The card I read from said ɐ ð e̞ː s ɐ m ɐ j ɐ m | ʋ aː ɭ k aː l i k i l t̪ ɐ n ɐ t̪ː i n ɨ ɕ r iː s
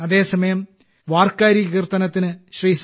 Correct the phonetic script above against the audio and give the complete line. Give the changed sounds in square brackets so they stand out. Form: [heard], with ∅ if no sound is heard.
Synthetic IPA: ɐ ð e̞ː s ɐ m ɐ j ɐ m | ʋ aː [r] k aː [ɾ] i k i [r] t̪ ɐ n ɐ t̪ː i n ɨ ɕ r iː s